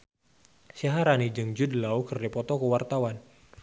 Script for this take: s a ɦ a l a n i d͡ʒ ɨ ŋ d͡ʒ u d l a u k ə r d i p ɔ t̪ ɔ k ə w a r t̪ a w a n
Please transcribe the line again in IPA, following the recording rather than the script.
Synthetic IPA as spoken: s a ɦ a ɾ a n i d͡ʒ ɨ ŋ d͡ʒ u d l a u k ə r d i p ɔ t̪ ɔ k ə w a r t̪ a w a n